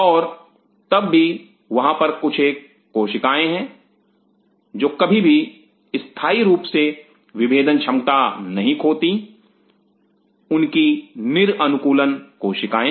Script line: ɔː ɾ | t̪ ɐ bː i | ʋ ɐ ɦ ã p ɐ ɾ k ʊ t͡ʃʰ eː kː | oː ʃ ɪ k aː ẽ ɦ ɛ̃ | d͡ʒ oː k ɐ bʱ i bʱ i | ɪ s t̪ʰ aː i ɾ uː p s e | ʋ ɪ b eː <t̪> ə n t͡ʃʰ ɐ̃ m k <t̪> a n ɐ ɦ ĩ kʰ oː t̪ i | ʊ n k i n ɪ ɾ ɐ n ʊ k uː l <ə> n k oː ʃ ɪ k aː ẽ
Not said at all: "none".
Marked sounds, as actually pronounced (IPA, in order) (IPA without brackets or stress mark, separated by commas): d̪, t̪, ə